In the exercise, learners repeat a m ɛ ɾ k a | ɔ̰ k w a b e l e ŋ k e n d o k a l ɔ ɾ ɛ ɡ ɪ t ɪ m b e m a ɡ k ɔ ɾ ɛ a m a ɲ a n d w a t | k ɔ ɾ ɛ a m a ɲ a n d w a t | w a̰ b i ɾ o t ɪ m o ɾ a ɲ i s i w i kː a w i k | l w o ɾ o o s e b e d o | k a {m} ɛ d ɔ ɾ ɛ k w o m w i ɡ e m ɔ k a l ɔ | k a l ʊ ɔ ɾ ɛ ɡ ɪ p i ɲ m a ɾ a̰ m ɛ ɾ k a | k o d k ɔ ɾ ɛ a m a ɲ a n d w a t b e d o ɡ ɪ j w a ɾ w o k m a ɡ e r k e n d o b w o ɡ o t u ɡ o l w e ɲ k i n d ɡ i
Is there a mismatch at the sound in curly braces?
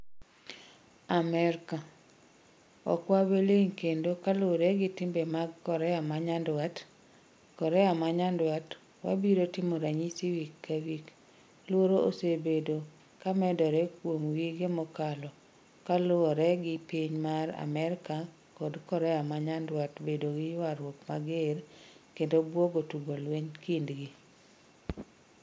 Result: no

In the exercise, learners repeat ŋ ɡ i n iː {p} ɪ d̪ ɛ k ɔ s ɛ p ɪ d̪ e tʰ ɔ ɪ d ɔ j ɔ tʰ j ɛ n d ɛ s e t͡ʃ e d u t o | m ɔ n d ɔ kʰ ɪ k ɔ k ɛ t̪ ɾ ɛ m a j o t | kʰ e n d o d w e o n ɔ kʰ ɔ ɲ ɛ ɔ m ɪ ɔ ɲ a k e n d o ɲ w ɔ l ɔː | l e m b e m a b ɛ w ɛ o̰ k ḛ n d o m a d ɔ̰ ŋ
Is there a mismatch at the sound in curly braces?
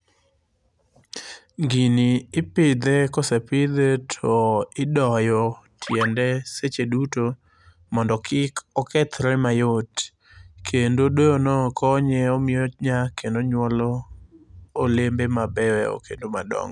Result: no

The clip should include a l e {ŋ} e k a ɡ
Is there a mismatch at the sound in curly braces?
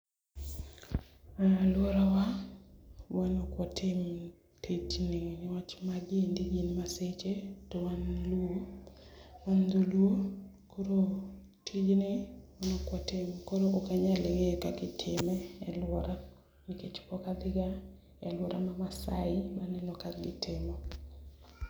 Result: no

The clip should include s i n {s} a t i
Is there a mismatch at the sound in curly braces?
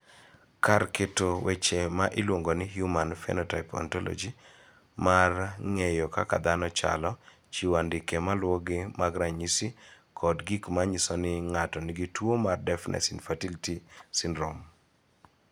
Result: yes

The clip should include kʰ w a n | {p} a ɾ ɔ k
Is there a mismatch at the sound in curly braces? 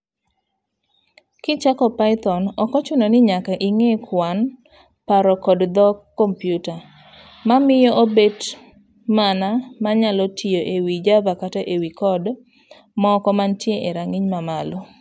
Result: no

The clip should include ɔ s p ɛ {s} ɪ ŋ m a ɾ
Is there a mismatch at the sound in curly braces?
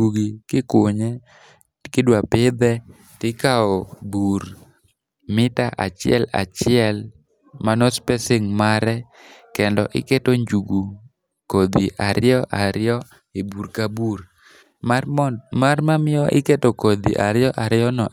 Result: no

